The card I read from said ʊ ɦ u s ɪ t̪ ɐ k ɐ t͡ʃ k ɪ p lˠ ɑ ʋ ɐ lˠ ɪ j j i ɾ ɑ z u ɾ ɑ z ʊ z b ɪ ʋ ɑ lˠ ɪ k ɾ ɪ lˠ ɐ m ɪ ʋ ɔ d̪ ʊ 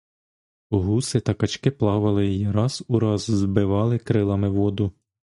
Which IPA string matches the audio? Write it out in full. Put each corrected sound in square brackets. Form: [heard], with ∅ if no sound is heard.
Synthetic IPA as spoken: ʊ ɦ u s ɪ t̪ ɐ k ɐ t͡ʃ k ɪ p lˠ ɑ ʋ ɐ lˠ ɪ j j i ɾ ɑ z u ɾ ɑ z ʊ z b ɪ ʋ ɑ lˠ ɪ k ɾ ɪ lˠ ɐ m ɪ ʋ ɔ d̪ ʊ